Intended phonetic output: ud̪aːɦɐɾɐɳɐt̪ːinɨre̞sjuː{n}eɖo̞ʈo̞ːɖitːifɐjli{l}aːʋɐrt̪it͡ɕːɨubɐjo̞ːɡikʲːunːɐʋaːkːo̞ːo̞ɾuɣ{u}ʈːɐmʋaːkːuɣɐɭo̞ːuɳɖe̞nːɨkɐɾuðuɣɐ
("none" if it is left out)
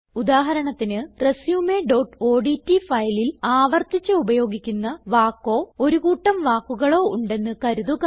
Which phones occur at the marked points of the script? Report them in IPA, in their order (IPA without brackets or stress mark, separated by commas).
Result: m, l, uː